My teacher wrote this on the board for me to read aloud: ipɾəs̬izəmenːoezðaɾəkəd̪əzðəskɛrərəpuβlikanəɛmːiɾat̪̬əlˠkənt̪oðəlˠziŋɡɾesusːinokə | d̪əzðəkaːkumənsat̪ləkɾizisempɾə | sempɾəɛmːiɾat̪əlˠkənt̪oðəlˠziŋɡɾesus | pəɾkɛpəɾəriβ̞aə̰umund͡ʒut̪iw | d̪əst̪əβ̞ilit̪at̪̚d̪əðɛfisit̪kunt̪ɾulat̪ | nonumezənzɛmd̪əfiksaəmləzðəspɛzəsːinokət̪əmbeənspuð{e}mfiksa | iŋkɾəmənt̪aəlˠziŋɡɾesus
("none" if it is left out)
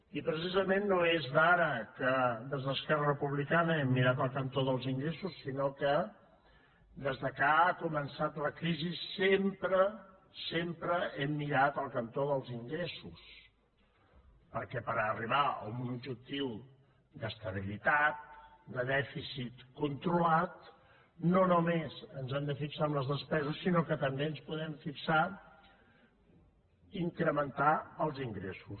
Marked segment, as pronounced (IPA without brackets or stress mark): ɛ